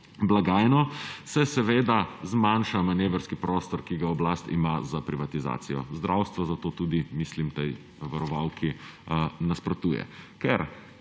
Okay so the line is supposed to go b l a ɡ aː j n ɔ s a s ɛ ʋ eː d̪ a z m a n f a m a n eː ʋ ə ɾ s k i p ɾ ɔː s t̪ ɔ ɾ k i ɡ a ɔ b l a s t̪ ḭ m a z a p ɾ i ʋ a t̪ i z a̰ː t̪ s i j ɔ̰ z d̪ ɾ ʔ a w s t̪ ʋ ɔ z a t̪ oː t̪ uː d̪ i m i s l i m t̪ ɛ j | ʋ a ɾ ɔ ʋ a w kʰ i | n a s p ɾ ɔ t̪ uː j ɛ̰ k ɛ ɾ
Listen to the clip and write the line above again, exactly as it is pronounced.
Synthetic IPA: b l a ɡ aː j n ɔ s ɛ s ɛ ʋ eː d̪ a z m a n ʃ a m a n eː ʋ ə ɾ s k i p ɾ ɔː s t̪ ɔ ɾ k i ɡ a ɔ b l a s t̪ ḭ m a z a p ɾ i ʋ a t̪ i z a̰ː t̪ s i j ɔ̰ z d̪ ɾ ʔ a w s t̪ ʋ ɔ z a t̪ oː t̪ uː d̪ i m i s l i m t̪ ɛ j | ʋ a ɾ ɔ ʋ a w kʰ i | n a s p ɾ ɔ t̪ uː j ɛ̰ k ɛ ɾ